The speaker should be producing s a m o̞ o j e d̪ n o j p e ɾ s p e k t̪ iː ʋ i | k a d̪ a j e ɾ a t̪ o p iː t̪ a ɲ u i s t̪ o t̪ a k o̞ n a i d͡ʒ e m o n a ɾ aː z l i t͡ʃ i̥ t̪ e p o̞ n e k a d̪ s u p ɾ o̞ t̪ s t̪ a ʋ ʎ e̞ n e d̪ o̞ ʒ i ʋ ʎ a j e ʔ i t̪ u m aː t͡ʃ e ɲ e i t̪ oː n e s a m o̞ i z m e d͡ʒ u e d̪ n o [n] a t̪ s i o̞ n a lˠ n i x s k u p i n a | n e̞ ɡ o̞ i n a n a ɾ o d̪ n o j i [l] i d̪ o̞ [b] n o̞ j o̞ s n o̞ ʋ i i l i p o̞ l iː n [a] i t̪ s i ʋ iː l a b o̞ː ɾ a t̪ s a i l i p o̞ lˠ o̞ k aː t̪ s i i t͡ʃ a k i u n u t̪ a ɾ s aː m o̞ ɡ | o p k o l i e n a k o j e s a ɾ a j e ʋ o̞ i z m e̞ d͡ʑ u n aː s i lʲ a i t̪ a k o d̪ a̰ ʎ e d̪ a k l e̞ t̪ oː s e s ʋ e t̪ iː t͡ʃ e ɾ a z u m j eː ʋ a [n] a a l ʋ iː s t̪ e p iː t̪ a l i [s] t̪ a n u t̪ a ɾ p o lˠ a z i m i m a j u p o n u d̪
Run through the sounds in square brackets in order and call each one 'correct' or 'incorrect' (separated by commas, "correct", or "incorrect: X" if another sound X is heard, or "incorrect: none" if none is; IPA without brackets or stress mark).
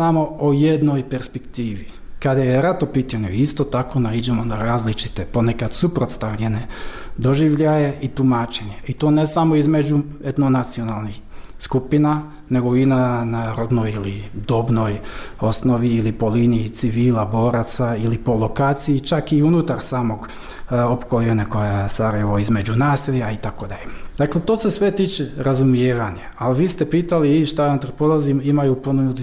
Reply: correct, correct, correct, incorrect: i, incorrect: ɲ, incorrect: ʃ